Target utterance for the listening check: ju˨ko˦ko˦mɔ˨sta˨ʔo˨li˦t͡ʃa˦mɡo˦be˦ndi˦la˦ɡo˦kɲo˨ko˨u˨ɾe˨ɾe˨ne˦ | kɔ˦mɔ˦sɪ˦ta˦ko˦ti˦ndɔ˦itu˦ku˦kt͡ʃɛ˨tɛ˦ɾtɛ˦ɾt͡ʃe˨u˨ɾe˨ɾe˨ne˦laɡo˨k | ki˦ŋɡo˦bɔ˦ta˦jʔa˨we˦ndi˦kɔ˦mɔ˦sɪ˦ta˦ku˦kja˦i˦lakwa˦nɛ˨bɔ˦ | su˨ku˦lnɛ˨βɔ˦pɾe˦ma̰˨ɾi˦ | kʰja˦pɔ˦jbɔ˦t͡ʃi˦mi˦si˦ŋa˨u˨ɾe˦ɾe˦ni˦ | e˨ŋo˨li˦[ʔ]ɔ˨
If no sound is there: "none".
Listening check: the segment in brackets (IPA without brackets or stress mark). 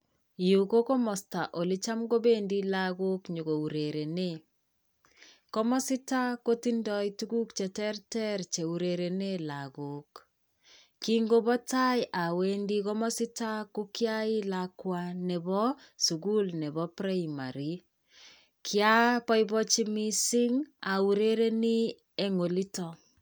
t